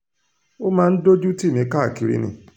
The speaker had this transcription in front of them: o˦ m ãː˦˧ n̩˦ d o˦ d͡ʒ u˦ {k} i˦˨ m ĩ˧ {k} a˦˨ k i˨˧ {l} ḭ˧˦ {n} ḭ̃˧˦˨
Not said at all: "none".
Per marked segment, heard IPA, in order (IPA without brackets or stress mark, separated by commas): t, k, ɾ, n